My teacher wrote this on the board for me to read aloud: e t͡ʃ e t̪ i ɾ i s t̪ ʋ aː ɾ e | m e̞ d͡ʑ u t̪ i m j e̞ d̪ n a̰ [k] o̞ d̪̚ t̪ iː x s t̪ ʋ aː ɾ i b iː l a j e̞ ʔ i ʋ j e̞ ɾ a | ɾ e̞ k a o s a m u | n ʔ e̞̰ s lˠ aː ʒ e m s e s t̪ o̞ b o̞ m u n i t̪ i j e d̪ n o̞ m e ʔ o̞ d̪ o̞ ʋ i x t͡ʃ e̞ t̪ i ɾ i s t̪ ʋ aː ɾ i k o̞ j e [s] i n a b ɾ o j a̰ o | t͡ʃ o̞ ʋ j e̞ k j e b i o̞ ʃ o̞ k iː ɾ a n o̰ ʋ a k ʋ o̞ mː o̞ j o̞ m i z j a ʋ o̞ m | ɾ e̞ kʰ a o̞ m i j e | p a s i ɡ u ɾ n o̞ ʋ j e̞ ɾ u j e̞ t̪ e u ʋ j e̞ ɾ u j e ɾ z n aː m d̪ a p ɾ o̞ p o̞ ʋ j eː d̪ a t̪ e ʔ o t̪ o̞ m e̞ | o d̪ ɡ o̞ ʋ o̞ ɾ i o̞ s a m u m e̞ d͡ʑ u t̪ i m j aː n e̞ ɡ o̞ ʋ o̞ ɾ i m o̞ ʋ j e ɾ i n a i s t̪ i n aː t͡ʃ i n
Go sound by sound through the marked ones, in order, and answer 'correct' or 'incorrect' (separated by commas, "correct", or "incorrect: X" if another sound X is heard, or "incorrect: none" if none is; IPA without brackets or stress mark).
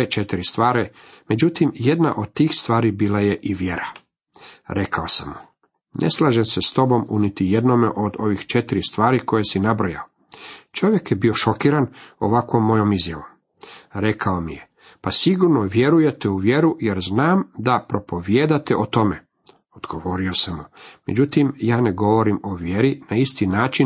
incorrect: ʔ, correct